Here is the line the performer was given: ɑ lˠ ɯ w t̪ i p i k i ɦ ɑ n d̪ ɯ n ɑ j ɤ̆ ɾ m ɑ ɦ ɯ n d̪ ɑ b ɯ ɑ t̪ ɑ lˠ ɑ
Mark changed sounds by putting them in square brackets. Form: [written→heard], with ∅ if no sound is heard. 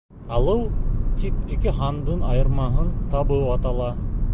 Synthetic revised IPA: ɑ lˠ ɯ w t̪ i p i k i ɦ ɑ n d̪ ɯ n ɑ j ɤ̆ ɾ m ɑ ɦ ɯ n [d̪→t̪] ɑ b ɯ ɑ t̪ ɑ lˠ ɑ